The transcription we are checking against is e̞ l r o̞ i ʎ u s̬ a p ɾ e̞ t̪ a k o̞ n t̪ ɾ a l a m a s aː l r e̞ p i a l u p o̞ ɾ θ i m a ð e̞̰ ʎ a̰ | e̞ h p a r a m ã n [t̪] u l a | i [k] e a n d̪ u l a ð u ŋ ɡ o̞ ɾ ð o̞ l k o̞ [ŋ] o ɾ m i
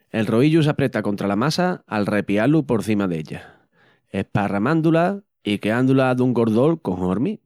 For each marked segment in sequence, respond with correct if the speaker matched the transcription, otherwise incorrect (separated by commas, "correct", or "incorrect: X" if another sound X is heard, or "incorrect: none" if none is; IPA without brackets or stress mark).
incorrect: d̪, correct, correct